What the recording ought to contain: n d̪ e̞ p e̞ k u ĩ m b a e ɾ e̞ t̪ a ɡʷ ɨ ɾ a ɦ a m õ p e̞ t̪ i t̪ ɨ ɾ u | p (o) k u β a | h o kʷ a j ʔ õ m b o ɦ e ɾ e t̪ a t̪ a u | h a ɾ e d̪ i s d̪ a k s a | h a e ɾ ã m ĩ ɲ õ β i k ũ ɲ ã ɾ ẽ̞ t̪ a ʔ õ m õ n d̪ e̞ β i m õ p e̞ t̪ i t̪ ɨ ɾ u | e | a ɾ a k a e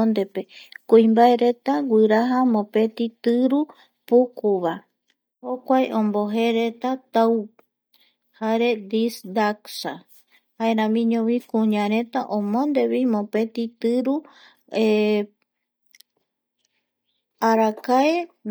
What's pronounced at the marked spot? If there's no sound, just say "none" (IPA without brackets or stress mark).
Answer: u